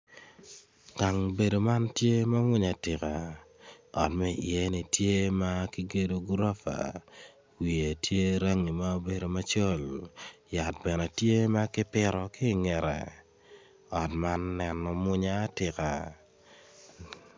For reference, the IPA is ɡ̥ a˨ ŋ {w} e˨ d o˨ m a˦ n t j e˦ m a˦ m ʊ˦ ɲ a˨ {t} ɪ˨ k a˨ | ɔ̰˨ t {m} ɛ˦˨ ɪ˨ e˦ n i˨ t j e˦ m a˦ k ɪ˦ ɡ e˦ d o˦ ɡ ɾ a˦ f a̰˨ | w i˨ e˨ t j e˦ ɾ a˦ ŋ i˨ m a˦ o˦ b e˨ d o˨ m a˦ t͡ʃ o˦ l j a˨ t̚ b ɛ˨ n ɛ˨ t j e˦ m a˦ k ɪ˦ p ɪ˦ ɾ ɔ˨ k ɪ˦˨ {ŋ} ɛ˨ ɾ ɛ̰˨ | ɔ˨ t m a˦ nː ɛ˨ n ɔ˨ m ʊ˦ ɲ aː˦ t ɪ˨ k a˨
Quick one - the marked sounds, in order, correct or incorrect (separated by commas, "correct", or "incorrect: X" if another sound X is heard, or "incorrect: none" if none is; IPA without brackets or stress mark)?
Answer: incorrect: b, correct, correct, correct